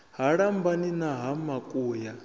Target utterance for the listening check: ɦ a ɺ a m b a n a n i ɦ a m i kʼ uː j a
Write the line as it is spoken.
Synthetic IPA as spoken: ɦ a ɺ a m b a n i n a ɦ a m a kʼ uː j a